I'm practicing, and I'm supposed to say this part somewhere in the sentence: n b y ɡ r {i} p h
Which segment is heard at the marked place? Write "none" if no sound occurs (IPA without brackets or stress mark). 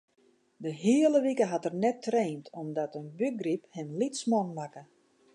i